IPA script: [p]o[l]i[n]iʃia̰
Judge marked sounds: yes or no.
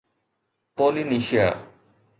yes, yes, yes

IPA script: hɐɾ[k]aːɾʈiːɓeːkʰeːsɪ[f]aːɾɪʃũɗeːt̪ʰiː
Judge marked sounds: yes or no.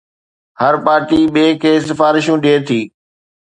no, yes

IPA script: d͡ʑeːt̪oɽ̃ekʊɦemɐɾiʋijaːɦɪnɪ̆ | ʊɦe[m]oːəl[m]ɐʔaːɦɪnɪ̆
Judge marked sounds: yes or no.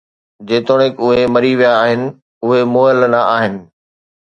yes, no

